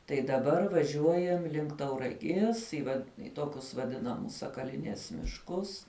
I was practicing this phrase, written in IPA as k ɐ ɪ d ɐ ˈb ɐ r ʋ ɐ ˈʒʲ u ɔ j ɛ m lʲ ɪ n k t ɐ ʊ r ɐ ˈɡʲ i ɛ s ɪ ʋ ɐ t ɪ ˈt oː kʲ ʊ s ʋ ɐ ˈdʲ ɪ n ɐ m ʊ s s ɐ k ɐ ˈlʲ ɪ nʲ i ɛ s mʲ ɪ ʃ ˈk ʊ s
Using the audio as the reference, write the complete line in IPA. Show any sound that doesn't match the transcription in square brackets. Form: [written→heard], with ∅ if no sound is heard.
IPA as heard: [k→t] ɐ ɪ d ɐ ˈb ɐ r ʋ ɐ ˈʒʲ u ɔ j ɛ m lʲ ɪ [n→ŋ] k t ɐ ʊ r ɐ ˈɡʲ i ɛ s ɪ ʋ ɐ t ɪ ˈt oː kʲ ʊ s ʋ ɐ ˈdʲ ɪ n ɐ m ʊ s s ɐ k ɐ ˈlʲ ɪ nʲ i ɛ s mʲ ɪ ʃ ˈk ʊ s